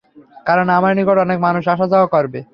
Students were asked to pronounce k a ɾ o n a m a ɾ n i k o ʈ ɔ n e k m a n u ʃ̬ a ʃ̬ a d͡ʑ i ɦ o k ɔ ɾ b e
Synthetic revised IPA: k a ɾ o n a m a ɾ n i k o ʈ ɔ n e k m a n u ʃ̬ a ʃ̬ a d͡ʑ a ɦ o k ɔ ɾ b e